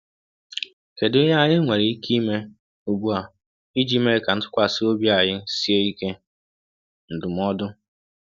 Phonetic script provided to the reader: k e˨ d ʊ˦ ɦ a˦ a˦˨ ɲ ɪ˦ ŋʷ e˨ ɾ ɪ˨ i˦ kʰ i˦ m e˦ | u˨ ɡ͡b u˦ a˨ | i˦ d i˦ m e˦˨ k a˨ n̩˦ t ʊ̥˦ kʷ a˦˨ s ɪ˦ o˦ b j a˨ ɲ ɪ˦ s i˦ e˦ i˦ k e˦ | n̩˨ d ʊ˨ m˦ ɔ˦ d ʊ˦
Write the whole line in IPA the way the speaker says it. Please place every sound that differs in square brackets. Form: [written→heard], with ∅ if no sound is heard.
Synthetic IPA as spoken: k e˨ d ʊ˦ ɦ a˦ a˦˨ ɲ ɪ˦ ŋʷ e˨ ɾ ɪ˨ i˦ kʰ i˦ m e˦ | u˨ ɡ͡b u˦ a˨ | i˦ [d→d͡ʒ] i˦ m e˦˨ k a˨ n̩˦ t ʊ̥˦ kʷ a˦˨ s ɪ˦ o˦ b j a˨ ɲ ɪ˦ s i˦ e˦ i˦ k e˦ | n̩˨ d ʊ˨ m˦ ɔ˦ d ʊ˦